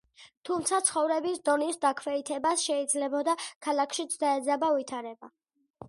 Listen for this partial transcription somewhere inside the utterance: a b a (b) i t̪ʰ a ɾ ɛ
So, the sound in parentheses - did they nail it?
no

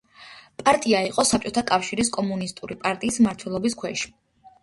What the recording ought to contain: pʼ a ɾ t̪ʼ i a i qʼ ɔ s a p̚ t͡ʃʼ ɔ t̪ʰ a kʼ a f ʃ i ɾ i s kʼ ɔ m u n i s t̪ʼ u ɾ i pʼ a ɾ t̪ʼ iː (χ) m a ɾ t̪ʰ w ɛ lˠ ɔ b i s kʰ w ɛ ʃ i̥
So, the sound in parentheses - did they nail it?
no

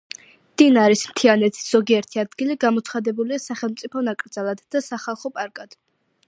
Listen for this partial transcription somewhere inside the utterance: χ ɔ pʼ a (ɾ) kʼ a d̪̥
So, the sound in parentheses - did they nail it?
yes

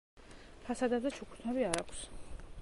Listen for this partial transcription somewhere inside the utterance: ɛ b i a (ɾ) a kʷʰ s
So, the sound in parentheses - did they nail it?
yes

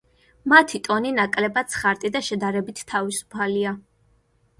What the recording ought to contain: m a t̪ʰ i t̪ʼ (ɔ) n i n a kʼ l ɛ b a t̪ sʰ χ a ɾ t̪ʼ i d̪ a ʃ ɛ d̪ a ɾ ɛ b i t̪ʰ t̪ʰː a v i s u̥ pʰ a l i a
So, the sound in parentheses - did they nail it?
yes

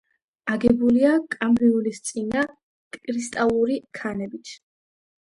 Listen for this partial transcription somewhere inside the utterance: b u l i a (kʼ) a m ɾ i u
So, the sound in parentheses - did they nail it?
yes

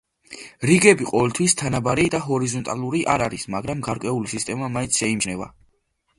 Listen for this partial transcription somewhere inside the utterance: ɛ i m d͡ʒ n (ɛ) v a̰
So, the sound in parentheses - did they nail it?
yes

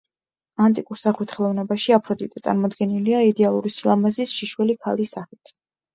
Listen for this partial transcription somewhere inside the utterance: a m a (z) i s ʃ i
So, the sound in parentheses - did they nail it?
yes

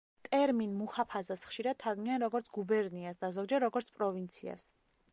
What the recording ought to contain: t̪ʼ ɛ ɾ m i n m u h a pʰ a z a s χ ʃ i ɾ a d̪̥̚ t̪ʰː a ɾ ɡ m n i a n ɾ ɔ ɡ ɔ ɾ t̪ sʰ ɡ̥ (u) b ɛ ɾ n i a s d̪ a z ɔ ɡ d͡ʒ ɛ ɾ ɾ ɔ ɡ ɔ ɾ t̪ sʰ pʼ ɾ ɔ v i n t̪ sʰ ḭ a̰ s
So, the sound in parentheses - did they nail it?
yes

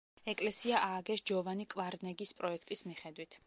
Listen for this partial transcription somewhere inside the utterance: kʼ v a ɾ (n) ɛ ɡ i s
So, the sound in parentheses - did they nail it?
yes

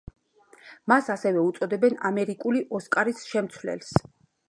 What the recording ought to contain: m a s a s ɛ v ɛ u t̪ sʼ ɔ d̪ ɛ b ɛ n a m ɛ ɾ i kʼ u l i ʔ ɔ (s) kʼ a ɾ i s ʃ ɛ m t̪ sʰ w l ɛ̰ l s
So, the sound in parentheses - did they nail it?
yes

